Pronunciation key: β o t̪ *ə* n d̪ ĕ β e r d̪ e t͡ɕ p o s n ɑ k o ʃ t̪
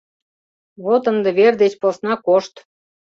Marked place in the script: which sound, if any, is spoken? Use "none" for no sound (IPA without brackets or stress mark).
ə